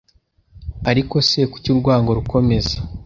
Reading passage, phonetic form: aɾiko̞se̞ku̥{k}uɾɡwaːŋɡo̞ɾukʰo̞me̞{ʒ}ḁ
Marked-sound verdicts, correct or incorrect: incorrect: c, incorrect: z

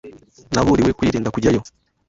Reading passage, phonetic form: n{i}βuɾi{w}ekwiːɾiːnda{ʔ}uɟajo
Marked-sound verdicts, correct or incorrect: incorrect: a, correct, incorrect: k

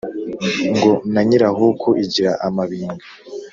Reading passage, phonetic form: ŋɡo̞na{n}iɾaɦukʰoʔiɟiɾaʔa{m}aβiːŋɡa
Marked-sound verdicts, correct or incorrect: incorrect: ɲ, correct

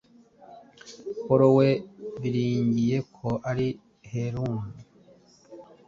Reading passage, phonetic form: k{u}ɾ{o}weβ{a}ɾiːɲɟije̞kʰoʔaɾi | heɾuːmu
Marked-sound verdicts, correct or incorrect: incorrect: o, correct, incorrect: i

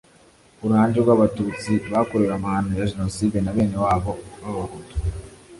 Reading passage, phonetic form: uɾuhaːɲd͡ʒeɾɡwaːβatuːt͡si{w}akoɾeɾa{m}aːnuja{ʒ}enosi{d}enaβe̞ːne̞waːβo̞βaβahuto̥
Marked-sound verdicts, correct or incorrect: incorrect: β, correct, correct, correct

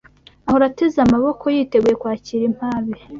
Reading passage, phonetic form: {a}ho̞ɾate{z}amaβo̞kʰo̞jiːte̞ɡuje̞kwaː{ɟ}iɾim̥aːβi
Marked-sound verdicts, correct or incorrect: correct, correct, incorrect: c

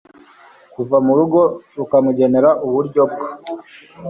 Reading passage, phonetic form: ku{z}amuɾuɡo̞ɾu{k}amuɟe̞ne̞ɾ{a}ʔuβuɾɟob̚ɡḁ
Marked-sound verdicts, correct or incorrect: incorrect: v, correct, correct

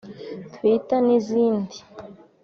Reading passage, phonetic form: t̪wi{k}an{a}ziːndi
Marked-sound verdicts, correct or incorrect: incorrect: t, incorrect: i

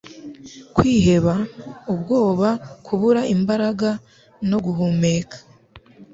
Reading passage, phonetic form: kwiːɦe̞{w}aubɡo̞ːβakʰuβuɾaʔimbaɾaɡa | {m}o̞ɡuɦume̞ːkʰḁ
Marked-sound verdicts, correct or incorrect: incorrect: β, incorrect: n

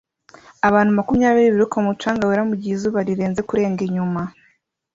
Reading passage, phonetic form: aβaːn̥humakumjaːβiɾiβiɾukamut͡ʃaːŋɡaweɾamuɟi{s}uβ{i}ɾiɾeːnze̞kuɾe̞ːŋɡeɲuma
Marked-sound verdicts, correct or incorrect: incorrect: z, incorrect: a

